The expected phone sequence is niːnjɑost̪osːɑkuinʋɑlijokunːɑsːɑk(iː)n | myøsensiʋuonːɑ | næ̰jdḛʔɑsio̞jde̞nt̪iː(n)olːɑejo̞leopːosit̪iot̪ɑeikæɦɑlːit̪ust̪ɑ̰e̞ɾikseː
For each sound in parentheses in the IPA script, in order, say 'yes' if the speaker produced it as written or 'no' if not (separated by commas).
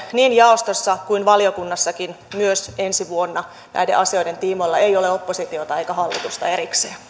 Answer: no, no